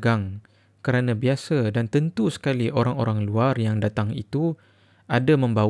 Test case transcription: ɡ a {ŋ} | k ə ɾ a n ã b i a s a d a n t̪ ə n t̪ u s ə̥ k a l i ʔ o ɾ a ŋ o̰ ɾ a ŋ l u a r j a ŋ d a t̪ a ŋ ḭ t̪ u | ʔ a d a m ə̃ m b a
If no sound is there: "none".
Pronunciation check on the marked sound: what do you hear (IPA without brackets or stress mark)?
ŋ